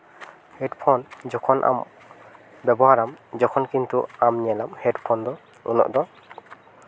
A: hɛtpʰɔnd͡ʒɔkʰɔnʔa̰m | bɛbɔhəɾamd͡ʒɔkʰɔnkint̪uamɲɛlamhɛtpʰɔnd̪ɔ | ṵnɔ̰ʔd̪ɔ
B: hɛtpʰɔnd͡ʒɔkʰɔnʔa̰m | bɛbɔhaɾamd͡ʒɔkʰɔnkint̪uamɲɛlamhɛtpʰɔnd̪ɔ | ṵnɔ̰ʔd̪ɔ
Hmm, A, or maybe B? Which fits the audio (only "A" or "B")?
B